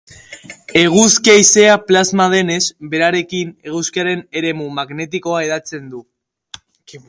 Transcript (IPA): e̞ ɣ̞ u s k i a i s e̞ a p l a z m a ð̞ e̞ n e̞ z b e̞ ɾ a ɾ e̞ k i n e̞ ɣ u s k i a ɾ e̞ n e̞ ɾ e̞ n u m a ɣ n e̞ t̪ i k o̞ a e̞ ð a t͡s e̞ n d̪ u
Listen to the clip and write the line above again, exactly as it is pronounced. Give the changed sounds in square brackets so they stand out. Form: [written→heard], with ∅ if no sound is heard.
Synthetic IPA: e̞ ɣ̞ u s k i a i s e̞ a p l a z m a ð̞ e̞ n e̞ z b e̞ ɾ a ɾ e̞ k i n e̞ ɣ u s k i a ɾ e̞ n e̞ ɾ e̞ [n→m] u m a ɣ n e̞ t̪ i k o̞ a e̞ ð a t͡s e̞ n d̪ u